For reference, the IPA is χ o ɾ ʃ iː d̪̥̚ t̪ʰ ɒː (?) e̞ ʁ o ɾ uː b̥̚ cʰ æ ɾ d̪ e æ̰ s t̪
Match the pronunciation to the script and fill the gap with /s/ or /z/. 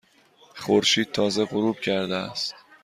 z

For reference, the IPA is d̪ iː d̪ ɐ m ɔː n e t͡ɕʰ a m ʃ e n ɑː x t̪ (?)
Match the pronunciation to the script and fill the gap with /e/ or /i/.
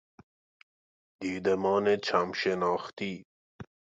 i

